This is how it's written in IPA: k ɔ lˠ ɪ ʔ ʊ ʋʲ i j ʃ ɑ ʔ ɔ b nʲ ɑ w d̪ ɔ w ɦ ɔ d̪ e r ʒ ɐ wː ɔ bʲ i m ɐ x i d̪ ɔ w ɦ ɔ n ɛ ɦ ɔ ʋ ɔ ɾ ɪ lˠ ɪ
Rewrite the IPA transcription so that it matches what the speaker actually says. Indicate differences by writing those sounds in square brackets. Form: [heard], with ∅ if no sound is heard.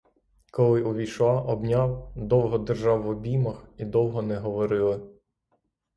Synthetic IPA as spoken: k ɔ lˠ ɪ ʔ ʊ ʋʲ i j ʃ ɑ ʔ ɔ b nʲ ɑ w d̪ ɔ w ɦ ɔ d̪ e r ʒ [ɑ] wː ɔ bʲ i m ɐ x i d̪ ɔ w ɦ ɔ n ɛ ɦ ɔ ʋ ɔ ɾ ɪ lˠ ɪ